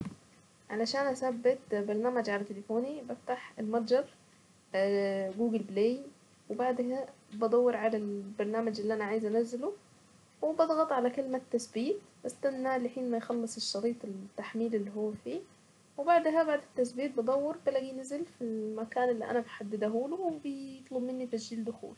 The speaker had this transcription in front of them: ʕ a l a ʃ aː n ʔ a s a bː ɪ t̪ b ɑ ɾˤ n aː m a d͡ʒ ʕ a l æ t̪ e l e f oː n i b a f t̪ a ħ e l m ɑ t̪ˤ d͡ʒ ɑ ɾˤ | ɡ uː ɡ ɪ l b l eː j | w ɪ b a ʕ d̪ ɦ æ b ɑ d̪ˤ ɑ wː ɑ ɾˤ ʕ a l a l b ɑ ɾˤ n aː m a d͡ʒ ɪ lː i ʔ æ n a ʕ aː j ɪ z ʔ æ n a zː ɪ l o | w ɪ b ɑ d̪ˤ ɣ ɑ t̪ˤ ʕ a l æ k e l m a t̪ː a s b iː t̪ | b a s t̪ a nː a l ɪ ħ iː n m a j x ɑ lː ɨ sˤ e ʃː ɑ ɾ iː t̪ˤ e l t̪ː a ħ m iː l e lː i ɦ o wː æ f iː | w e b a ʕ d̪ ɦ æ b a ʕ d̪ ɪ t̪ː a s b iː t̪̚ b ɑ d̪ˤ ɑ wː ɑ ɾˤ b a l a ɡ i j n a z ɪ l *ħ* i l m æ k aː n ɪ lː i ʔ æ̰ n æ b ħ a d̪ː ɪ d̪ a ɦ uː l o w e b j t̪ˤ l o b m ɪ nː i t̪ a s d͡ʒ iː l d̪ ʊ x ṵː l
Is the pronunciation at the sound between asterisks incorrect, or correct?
incorrect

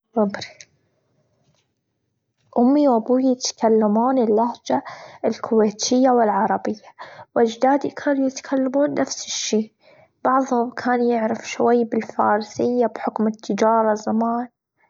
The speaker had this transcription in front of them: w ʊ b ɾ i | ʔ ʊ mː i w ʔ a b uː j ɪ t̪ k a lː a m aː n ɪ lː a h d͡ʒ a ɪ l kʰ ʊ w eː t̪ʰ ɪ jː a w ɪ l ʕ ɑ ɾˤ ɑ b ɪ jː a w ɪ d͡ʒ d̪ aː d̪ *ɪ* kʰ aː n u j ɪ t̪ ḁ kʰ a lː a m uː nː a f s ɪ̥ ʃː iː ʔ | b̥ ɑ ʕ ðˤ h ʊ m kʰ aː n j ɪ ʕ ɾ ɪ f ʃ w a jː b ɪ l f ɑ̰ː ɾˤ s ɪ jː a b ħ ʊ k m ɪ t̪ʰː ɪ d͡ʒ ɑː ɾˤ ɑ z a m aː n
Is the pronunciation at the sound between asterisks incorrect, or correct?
incorrect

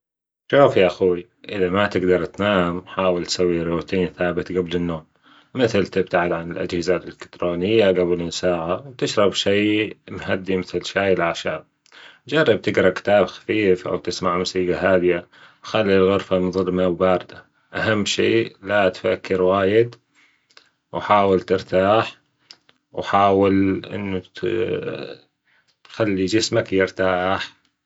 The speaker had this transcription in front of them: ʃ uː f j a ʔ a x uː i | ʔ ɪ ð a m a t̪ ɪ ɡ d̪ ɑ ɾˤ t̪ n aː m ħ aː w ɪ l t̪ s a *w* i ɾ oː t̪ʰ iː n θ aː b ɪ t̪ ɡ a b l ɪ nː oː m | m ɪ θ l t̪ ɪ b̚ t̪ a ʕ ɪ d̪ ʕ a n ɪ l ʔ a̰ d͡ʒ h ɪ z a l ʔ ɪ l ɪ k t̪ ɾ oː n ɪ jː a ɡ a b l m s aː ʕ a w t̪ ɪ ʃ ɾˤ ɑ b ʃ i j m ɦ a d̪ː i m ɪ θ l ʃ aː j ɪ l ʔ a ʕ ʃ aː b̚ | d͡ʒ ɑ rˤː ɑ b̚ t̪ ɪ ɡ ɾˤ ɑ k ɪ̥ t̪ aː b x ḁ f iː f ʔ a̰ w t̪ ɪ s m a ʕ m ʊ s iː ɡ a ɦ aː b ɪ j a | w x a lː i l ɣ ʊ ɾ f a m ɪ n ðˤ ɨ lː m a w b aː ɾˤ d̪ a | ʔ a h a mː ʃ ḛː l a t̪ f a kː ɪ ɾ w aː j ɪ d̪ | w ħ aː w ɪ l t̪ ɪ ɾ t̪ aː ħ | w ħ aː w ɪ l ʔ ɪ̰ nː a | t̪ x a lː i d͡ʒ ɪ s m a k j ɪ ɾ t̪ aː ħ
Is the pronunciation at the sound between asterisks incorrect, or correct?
incorrect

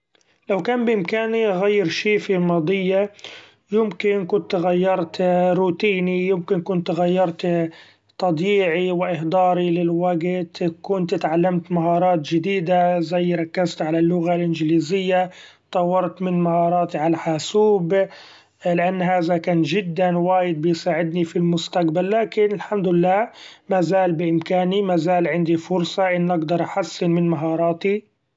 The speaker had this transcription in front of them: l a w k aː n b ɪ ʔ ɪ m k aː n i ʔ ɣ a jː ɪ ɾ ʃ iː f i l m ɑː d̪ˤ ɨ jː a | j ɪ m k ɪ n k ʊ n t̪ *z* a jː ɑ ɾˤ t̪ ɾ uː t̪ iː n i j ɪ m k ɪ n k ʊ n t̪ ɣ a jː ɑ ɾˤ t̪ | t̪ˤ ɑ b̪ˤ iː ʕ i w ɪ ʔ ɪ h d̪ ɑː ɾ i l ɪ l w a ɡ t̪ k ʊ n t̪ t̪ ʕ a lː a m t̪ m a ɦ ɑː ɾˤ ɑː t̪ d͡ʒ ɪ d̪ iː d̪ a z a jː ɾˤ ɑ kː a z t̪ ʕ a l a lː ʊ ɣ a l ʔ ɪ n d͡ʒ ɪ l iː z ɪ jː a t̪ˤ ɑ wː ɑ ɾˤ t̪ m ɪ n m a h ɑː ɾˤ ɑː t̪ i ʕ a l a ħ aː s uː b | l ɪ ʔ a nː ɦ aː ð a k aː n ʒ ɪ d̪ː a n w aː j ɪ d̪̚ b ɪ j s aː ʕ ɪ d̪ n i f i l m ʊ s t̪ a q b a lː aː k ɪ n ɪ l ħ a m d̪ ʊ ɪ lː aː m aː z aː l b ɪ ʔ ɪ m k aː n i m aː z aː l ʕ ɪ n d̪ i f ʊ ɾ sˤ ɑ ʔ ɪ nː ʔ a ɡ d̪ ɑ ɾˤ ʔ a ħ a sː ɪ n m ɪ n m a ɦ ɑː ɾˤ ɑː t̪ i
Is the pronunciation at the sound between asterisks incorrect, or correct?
incorrect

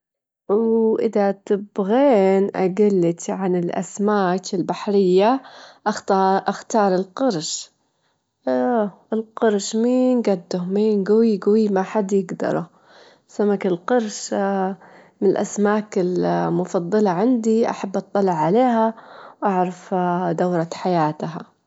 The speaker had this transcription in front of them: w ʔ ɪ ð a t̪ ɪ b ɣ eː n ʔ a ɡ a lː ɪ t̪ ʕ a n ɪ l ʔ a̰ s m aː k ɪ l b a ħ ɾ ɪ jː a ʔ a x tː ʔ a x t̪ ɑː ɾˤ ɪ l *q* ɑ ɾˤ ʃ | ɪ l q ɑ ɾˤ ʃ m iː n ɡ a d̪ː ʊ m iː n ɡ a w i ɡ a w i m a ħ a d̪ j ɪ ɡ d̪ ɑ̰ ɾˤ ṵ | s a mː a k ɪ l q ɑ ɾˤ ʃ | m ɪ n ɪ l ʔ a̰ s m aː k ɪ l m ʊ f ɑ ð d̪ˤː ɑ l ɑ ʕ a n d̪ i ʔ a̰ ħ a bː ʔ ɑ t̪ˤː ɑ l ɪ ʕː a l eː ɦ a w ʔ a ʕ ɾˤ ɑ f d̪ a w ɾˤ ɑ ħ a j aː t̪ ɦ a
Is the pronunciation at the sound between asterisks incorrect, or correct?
correct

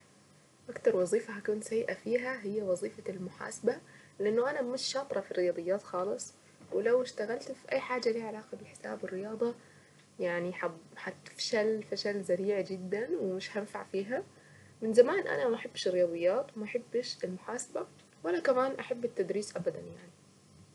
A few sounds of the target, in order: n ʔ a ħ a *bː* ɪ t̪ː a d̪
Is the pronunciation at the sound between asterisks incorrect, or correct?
correct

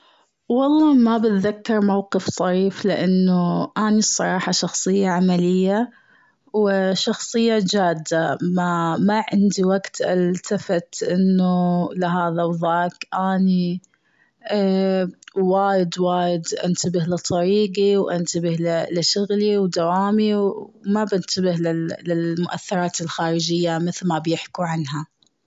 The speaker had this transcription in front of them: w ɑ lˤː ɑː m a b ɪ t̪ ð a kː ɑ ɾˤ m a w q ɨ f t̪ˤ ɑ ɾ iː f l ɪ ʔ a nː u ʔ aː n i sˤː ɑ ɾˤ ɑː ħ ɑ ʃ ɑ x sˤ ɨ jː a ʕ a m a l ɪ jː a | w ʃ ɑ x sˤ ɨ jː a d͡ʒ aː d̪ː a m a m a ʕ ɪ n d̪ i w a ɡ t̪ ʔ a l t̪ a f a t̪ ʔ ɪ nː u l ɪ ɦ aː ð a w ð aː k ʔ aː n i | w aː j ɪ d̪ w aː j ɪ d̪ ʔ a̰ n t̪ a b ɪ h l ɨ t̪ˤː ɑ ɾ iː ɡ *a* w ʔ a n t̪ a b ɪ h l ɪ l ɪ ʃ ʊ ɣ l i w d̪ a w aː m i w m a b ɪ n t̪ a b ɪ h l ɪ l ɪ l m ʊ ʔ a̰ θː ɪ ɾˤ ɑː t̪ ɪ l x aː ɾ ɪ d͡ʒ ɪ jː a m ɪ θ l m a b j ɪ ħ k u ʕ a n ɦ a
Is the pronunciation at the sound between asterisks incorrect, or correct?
incorrect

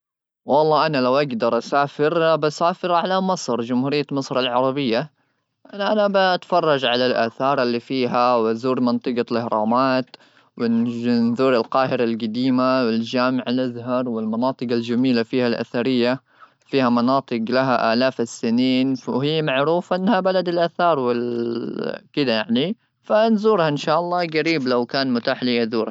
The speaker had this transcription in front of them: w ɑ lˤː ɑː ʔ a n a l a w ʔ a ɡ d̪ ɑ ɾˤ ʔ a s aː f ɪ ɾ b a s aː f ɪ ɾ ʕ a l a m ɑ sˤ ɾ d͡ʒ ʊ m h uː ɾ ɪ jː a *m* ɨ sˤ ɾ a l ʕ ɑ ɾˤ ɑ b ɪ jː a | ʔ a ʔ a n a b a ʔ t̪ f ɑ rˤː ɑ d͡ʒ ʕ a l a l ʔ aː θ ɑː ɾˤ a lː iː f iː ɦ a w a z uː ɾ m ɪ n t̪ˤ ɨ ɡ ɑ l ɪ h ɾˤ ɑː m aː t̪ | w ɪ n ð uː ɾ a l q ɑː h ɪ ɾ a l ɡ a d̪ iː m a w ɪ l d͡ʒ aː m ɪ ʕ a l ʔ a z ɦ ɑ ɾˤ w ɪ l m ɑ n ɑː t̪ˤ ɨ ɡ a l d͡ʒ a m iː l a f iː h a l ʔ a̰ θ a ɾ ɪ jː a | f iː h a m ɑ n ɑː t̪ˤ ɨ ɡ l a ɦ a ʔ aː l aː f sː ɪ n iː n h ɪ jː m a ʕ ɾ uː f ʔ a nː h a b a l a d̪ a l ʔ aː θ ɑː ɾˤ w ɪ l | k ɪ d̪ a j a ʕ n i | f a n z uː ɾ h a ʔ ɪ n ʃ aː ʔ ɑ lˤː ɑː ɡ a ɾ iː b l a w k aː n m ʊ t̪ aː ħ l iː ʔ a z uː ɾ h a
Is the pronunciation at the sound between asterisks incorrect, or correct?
correct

